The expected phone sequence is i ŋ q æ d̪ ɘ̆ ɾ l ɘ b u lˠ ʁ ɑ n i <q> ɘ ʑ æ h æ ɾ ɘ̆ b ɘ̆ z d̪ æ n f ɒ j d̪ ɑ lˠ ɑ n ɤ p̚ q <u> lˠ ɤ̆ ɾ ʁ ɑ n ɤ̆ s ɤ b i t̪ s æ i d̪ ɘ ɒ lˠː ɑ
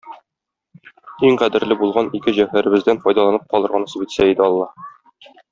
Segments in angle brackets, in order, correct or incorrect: incorrect: k, incorrect: ɒ

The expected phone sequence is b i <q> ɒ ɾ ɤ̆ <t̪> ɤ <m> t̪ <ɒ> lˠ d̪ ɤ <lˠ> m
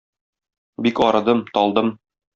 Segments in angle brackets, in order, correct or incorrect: incorrect: k, incorrect: d̪, correct, correct, incorrect: none

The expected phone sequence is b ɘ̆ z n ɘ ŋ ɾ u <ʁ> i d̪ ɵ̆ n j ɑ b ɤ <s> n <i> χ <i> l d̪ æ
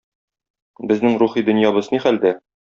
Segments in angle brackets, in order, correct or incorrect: incorrect: χ, incorrect: z, correct, incorrect: æ

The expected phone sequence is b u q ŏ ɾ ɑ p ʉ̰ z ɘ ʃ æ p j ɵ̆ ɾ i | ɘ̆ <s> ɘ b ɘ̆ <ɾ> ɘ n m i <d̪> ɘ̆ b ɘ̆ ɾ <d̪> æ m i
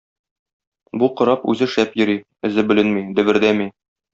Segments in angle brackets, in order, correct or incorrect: incorrect: z, incorrect: l, correct, correct

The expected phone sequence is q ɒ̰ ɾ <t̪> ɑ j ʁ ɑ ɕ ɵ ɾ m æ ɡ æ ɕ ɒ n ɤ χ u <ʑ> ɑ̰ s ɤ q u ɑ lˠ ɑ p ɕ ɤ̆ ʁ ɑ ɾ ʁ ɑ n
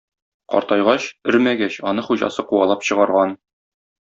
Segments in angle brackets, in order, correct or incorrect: correct, correct

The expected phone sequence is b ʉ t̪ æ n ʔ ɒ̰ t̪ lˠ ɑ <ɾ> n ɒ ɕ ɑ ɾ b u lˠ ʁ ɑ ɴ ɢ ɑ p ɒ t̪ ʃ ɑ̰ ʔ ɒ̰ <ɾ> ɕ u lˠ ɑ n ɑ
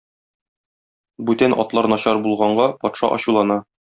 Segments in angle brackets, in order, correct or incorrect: correct, incorrect: none

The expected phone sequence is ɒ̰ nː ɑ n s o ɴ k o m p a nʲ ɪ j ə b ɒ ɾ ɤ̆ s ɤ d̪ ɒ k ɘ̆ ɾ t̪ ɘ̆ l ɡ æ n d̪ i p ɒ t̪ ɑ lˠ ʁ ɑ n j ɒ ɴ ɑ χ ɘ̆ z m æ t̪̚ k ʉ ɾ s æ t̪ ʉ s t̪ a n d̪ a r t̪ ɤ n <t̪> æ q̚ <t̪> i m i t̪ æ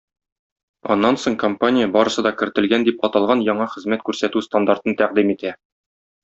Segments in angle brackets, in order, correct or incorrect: correct, incorrect: d̪

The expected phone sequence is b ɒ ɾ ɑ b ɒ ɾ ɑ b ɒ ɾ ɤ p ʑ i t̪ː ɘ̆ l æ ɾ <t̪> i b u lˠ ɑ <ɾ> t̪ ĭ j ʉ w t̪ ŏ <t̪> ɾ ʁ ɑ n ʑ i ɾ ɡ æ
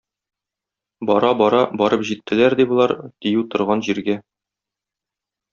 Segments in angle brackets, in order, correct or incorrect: incorrect: d̪, correct, incorrect: none

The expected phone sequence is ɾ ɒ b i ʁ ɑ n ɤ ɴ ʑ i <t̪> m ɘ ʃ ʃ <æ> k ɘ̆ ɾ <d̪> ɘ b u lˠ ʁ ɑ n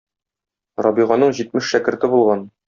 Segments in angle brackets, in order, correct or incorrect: correct, correct, incorrect: t̪

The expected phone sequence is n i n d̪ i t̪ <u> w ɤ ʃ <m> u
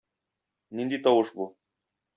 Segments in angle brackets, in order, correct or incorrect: incorrect: ɒ, incorrect: b

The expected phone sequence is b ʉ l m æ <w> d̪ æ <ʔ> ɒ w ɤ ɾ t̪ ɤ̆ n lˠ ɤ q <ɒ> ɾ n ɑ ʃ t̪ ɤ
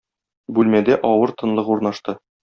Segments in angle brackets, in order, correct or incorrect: incorrect: none, correct, incorrect: u

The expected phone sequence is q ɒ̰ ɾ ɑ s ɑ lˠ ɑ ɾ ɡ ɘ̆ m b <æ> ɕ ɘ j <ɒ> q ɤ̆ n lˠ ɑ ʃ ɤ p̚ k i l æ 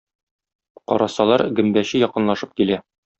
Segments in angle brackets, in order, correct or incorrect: correct, correct

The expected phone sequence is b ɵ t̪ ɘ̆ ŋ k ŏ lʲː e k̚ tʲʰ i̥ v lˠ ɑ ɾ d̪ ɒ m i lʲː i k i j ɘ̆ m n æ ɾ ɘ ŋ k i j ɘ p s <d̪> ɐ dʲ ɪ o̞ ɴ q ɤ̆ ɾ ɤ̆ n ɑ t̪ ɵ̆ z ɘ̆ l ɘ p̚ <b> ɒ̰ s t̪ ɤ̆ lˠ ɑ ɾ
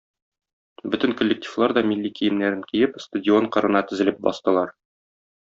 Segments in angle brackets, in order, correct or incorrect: incorrect: t̪, correct

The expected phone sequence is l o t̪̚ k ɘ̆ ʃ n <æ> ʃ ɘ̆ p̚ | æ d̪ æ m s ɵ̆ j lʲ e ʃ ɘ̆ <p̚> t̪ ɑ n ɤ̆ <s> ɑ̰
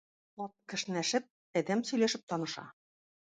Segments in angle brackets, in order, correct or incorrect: correct, correct, incorrect: ʃ

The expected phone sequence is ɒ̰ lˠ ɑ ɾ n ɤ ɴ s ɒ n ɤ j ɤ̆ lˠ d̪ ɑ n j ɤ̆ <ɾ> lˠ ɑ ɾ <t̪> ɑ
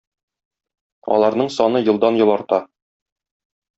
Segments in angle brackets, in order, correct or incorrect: incorrect: none, correct

